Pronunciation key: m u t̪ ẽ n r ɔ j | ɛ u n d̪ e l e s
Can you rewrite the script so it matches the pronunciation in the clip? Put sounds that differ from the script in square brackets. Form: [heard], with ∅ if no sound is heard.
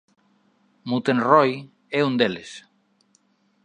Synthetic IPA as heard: m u t̪ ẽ n r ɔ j | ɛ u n d̪ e l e s